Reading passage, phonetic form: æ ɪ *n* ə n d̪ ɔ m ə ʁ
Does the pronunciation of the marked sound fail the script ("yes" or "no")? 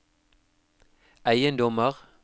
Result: yes